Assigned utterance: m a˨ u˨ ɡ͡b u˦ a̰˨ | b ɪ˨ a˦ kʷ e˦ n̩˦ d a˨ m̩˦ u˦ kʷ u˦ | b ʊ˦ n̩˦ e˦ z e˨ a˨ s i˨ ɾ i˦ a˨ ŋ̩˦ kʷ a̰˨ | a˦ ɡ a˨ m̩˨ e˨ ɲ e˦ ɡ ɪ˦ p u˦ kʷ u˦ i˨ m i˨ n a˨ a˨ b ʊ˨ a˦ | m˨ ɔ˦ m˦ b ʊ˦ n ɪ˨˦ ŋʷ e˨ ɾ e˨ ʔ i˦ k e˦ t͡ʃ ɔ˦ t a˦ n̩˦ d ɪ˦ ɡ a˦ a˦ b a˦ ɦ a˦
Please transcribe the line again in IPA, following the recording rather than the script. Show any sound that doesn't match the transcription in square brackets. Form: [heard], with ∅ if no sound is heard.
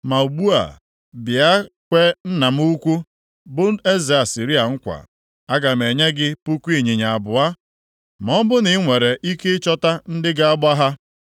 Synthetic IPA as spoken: m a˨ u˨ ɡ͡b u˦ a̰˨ | b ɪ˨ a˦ kʷ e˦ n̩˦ [n] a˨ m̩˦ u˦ kʷ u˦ | b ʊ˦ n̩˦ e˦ z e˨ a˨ s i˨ ɾ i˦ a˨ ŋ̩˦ kʷ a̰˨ | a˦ ɡ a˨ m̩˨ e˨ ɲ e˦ ɡ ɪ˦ p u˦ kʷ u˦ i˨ [ɲ] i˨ [ɲ] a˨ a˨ b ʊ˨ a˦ | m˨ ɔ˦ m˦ b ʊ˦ n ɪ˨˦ ŋʷ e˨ ɾ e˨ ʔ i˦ k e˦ t͡ʃ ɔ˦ t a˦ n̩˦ d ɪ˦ ɡ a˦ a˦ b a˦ ɦ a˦